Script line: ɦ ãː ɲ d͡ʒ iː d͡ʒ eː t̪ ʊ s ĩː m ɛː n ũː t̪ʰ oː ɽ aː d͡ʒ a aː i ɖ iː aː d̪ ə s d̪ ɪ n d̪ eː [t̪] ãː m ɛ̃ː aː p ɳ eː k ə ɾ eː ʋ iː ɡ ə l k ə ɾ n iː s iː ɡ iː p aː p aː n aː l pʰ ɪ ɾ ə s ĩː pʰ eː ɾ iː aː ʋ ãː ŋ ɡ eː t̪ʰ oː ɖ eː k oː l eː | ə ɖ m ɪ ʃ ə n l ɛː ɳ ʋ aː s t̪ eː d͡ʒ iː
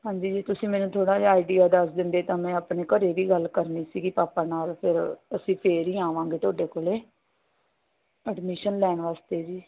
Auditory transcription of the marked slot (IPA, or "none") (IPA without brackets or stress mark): t̪